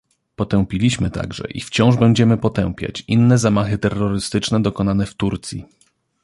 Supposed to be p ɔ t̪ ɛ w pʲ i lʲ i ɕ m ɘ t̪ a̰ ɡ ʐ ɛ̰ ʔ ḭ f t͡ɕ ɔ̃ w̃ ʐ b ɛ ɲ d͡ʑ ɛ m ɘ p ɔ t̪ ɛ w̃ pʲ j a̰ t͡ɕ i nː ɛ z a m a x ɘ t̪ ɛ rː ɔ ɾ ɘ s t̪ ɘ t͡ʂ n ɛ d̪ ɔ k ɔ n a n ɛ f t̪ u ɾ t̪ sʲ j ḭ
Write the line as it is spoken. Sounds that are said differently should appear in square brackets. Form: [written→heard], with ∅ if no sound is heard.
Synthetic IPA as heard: p ɔ t̪ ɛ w pʲ i lʲ i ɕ m ɘ t̪ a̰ ɡ ʐ ɛ̰ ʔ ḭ f t͡ɕ ɔ̃ w̃ ʐ b ɛ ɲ d͡ʑ ɛ m ɘ p ɔ t̪ ɛ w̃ pʲ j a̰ t͡ɕ i nː ɛ z a m a x ɘ t̪ ɛ rː ɔ ɾ ɘ s t̪ ɘ t͡ʂ n ɛ d̪ ɔ k ɔ n a n ɛ f t̪ u ɾ t̪ sʲ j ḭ